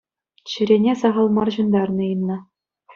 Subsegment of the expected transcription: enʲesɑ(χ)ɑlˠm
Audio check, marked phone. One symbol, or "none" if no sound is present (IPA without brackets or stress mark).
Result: ʁ